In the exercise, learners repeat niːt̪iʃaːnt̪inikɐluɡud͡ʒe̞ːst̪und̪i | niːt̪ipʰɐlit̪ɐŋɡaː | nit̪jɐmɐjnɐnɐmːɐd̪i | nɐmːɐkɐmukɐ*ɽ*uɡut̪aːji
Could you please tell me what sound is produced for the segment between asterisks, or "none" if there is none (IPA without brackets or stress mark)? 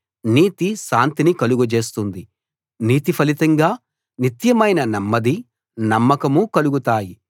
l